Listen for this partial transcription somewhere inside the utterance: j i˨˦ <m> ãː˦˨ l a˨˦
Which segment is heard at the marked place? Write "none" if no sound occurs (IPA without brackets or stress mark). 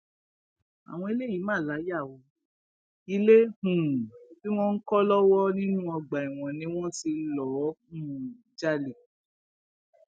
m